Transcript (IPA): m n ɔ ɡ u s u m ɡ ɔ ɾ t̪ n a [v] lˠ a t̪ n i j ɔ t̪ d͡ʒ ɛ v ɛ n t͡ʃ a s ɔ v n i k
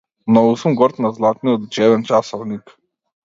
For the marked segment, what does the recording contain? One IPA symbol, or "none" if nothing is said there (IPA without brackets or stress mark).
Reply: z